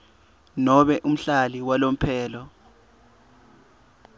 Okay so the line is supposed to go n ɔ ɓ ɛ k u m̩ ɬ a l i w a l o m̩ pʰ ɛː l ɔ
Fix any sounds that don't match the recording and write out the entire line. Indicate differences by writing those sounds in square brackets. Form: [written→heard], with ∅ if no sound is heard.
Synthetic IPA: n ɔ ɓ ɛ [k→ʔ] u m̩ ɬ a l i w a l o m̩ pʰ ɛː l ɔ